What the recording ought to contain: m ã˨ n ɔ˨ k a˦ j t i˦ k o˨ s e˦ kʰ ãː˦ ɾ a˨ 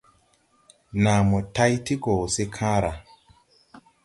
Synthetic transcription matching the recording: n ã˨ m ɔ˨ t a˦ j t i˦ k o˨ s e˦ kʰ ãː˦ ɾ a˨

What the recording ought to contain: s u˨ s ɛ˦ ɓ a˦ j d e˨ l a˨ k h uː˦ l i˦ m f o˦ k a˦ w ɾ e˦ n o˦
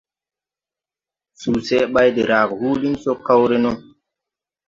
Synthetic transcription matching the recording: s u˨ s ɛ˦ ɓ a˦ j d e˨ ɾ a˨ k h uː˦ l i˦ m s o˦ k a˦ w ɾ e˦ n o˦

